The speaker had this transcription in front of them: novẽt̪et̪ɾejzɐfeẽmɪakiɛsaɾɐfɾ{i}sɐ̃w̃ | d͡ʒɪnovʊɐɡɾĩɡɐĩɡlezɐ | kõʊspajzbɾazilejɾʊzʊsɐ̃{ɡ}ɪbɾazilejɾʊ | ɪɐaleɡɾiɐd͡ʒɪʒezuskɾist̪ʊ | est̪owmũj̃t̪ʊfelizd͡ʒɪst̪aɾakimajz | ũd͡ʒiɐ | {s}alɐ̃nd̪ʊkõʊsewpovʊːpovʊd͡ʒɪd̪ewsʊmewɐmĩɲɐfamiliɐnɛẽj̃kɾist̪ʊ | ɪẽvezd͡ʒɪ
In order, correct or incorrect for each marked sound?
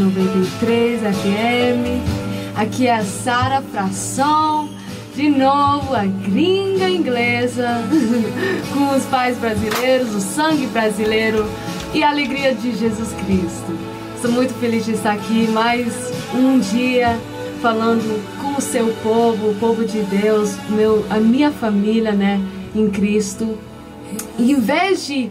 incorrect: a, correct, incorrect: f

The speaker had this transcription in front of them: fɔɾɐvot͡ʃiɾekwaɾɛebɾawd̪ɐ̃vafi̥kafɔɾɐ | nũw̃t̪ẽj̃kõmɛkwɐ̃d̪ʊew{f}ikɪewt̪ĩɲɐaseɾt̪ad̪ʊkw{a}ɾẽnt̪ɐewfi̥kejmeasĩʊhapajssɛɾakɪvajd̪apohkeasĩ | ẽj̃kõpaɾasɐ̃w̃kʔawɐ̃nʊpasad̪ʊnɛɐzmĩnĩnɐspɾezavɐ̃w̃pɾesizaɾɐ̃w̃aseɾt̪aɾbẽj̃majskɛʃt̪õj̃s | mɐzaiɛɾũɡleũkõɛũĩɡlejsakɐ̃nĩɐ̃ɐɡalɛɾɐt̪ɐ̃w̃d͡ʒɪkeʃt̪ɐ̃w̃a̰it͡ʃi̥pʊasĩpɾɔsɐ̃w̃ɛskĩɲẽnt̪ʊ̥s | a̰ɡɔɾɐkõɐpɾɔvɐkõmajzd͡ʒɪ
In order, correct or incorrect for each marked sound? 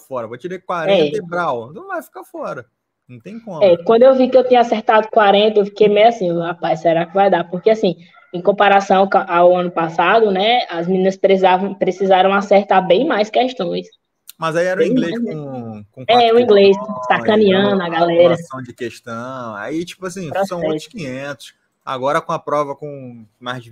incorrect: v, correct

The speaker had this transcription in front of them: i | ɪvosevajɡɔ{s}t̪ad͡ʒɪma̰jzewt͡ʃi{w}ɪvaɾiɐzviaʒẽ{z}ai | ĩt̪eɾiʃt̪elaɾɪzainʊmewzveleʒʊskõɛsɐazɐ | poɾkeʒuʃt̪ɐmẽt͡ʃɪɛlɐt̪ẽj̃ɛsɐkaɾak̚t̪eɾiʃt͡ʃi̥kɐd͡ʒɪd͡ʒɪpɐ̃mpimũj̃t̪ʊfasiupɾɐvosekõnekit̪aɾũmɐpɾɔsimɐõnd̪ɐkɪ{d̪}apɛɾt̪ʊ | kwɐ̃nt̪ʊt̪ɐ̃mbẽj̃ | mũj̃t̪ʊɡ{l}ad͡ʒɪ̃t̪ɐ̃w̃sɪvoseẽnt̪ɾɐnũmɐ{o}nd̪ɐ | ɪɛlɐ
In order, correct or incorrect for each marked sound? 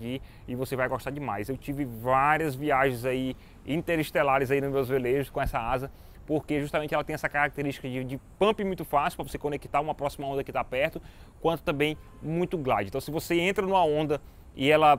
incorrect: ʃ, incorrect: v, correct, incorrect: t̪, correct, incorrect: õ

